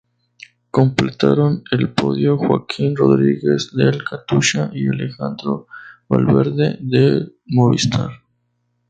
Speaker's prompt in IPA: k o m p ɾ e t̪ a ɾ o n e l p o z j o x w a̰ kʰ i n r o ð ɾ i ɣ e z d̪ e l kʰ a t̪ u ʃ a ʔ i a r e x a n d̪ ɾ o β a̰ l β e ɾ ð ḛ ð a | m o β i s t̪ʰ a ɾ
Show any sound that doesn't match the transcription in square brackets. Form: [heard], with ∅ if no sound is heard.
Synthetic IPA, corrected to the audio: k o m p [l] e t̪ a ɾ o n e l p o [ð] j o x w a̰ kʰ i n r o ð ɾ i ɣ e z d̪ e l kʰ a t̪ u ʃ a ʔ i a [l] e x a n d̪ ɾ o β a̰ l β e ɾ ð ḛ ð [e] | m o β i s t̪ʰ a ɾ

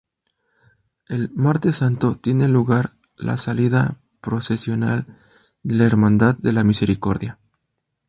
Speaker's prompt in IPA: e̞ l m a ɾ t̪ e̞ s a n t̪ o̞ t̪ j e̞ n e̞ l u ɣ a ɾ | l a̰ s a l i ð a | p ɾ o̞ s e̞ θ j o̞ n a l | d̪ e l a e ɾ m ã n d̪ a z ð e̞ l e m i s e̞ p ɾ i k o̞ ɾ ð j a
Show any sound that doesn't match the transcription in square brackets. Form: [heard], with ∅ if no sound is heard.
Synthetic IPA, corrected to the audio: e̞ l m a ɾ t̪ e̞ s a n t̪ o̞ t̪ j e̞ n e̞ l u ɣ a ɾ | l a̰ s a l i ð a | p ɾ o̞ s e̞ [s] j o̞ n a l | d̪ e l a e ɾ m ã n d̪ a [ð] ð e̞ l [a] m i s e̞ [∅] ɾ i k o̞ ɾ ð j a

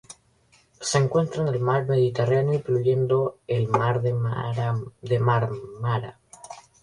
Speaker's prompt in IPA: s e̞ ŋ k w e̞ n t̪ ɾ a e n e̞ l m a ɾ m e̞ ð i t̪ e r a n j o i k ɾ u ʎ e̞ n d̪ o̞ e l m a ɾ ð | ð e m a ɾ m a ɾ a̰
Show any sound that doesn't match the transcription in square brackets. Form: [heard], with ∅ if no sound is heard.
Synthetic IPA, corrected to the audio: s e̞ ŋ k w e̞ n t̪ ɾ a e n e̞ l m a ɾ m e̞ ð i t̪ e r a n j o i [p] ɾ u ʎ e̞ n d̪ o̞ e l m a ɾ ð | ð e m a ɾ m a ɾ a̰

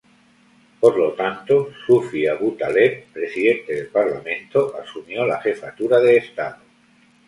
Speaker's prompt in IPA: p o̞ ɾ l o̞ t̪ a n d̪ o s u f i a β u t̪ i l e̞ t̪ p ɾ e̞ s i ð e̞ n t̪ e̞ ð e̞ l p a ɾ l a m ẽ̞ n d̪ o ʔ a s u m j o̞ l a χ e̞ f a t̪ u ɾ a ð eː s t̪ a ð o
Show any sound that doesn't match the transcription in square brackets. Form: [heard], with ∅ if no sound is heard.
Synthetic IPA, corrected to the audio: p o̞ ɾ l o̞ t̪ a n [t̪] o s u f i a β u t̪ [a] l e̞ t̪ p ɾ e̞ s i ð e̞ n t̪ e̞ ð e̞ l p a ɾ l a m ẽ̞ n [t̪] o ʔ a s u m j o̞ l a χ e̞ f a t̪ u ɾ a ð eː s t̪ a ð o

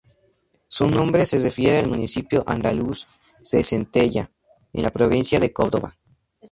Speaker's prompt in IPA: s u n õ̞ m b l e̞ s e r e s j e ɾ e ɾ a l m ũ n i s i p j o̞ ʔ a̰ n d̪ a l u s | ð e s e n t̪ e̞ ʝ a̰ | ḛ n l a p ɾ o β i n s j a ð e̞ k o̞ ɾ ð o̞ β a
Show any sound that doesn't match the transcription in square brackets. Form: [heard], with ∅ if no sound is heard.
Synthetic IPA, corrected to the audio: s u n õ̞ m b [ɾ] e̞ s e r e [f] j e ɾ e [∅] a l m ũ n i s i p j o̞ ʔ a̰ n d̪ a l u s | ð e s e n t̪ e̞ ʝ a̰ | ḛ n l a p ɾ o β i n s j a ð e̞ k o̞ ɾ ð o̞ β a

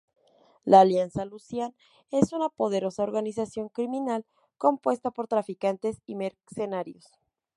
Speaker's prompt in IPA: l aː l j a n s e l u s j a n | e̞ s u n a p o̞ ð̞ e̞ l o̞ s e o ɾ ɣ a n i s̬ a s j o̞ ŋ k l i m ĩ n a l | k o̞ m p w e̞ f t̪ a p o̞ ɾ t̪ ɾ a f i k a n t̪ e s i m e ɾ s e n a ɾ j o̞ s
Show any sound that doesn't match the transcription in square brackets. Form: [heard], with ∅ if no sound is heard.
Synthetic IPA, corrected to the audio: l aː l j a n s [a] l u s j a n | e̞ s u n a p o̞ ð̞ e̞ [ɾ] o̞ s [a] o ɾ ɣ a n i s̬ a s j o̞ ŋ k [ɾ] i m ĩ n a l | k o̞ m p w e̞ [s] t̪ a p o̞ ɾ t̪ ɾ a f i k a n t̪ e s i m e ɾ s e n a ɾ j o̞ s

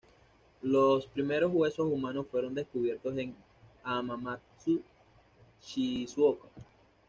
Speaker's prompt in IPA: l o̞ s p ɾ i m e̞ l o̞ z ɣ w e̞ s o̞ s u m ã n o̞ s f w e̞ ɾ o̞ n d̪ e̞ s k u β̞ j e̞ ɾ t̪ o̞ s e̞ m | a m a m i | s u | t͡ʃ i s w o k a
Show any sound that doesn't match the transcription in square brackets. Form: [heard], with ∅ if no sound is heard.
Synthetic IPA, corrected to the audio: l o̞ s p ɾ i m e̞ [ɾ] o̞ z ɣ w e̞ s o̞ s u m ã n o̞ s f w e̞ ɾ o̞ n d̪ e̞ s k u β̞ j e̞ ɾ t̪ o̞ s e̞ [ŋ] | a m a m [a] | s u | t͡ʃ i s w o k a

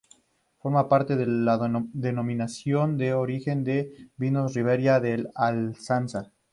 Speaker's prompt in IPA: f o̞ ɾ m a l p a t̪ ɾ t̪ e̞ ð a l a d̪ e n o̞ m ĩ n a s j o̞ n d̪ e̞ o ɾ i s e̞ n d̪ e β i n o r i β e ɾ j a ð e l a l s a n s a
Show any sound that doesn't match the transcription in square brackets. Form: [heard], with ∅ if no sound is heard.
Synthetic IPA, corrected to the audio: f o̞ ɾ m a [∅] p a [∅] ɾ t̪ e̞ ð [e] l a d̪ e n o̞ m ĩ n a s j o̞ n d̪ e̞ o ɾ i [x] e̞ n d̪ e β i n o r i β e ɾ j a ð e l a l s a n s a

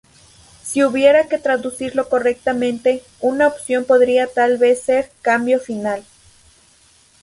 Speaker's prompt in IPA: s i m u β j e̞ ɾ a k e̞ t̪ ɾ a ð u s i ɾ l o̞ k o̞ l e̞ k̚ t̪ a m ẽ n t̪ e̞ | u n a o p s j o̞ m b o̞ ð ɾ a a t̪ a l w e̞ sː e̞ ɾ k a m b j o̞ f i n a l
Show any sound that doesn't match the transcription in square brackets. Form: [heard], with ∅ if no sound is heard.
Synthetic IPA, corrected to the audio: s i [∅] u β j e̞ ɾ a k e̞ t̪ ɾ a ð u s i ɾ l o̞ k o̞ [r] e̞ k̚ t̪ a m ẽ n t̪ e̞ | u n a o p s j o̞ m [p] o̞ ð ɾ [i] a t̪ a l [β] e̞ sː e̞ ɾ k a m b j o̞ f i n a l

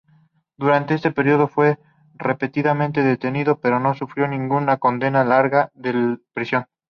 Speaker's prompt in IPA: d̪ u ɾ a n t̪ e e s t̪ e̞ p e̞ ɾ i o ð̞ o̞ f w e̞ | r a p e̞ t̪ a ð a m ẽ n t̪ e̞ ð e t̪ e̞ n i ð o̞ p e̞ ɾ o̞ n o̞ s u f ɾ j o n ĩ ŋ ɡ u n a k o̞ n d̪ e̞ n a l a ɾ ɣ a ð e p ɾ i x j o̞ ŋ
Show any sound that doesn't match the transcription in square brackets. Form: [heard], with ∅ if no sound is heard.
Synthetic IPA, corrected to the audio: d̪ u ɾ a n t̪ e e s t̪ e̞ p e̞ ɾ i o ð̞ o̞ f w e̞ | r [e] p e̞ t̪ [i] ð a m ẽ n t̪ e̞ ð e t̪ e̞ n i ð o̞ p e̞ ɾ o̞ n o̞ s u f ɾ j o n ĩ ŋ ɡ u n a k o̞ n d̪ e̞ n a l a ɾ ɣ a ð e p ɾ i [s] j o̞ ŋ

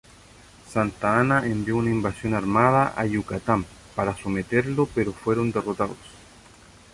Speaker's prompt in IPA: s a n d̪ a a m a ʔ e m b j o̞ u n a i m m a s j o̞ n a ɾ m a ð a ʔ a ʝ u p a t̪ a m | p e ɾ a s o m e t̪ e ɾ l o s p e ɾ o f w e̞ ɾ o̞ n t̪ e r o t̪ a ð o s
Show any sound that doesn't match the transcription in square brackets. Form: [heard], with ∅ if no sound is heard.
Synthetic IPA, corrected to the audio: s a n [t̪] a a [n] a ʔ e m b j o̞ u n a i m [b] a s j o̞ n a ɾ m a ð a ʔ a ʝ u [k] a t̪ a m | p [a] ɾ a s o m e t̪ e ɾ l o [∅] p e ɾ o f w e̞ ɾ o̞ n [d̪] e r o t̪ a ð o s

